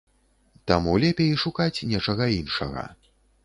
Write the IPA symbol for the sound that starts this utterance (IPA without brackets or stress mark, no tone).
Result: t̪